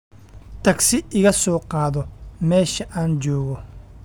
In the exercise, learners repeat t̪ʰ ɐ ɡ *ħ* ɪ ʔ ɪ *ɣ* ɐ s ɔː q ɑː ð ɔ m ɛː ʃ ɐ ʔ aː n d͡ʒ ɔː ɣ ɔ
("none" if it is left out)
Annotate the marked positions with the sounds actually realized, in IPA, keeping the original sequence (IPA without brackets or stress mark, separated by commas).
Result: s, ɣ